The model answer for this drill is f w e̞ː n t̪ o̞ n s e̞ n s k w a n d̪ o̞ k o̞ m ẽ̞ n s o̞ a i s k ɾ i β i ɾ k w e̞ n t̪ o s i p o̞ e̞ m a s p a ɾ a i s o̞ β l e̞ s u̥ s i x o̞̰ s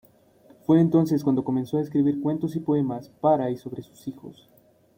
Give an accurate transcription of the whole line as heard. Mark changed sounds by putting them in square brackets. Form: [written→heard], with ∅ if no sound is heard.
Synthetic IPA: f w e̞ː n t̪ o̞ n s e̞ [n→∅] s k w a n d̪ o̞ k o̞ m [ẽ̞→e̞] n s o̞ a [i→e] s k ɾ i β i ɾ k w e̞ n t̪ o s i p o̞ e̞ m a s p a ɾ a i s o̞ β [l→ɾ] e̞ s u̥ s i x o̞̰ s